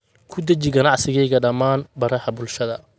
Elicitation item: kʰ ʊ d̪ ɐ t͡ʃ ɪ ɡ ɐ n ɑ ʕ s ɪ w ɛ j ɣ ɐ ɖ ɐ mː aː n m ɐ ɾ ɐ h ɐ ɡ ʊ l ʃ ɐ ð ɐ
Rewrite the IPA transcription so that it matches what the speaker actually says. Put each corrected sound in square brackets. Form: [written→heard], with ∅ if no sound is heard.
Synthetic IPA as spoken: kʰ ʊ d̪ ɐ t͡ʃ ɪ ɡ ɐ n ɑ ʕ s ɪ [w→ɣ] ɛ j ɣ ɐ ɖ ɐ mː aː n [m→b] ɐ ɾ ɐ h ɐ [ɡ→b] ʊ l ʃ ɐ ð ɐ